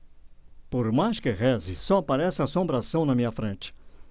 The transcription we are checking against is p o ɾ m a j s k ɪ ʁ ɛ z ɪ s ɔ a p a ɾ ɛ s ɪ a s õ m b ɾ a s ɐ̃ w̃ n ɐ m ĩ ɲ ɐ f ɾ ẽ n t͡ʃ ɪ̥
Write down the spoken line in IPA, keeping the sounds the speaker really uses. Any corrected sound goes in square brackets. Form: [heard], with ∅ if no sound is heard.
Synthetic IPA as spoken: p o ɾ m a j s k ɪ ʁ ɛ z ɪ s ɔ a p a ɾ ɛ s ɪ a s õ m b ɾ a s ɐ̃ w̃ n ɐ m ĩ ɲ ɐ f ɾ ẽ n t͡ʃ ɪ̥